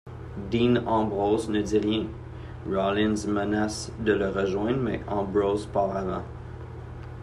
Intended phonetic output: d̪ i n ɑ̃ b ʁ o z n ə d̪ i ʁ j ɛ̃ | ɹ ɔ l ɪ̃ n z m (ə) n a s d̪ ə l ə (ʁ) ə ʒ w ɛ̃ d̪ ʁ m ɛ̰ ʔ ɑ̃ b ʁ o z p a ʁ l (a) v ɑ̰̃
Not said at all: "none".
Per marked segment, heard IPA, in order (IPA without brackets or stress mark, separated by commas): ə, ʁ, a